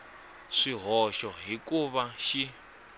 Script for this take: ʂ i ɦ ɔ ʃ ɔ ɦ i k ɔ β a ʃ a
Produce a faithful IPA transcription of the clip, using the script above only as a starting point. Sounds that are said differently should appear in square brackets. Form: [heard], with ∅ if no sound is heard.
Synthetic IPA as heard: ʂ i ɦ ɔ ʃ ɔ ɦ i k [u] β a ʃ [i]